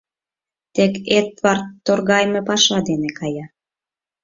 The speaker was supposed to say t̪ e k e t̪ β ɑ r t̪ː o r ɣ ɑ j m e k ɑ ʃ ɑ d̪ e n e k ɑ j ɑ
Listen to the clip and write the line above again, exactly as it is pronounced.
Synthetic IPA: t̪ e k e t̪ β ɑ r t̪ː o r ɣ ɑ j m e p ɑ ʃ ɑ d̪ e n e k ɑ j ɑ